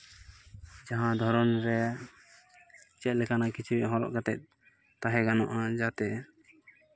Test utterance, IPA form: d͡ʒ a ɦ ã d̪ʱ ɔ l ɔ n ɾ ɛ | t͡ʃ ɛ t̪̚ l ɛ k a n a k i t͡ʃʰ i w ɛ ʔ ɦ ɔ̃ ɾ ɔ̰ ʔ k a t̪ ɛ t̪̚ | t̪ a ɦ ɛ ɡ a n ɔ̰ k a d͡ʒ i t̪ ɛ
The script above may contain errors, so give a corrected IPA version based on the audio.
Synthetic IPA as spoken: d͡ʒ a ɦ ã d̪ʱ ɔ ɾ ɔ n ɾ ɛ | t͡ʃ ɛ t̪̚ l ɛ k a n a k i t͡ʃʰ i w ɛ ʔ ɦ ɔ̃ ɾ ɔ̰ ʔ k a t̪ ɛ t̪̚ | t̪ a ɦ ɛ ɡ a n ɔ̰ ʔ a d͡ʒ a t̪ ɛ